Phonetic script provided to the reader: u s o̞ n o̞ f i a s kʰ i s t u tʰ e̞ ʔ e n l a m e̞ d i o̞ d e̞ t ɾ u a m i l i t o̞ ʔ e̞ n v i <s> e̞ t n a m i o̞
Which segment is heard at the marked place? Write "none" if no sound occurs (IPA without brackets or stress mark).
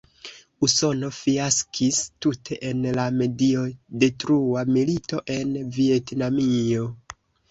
none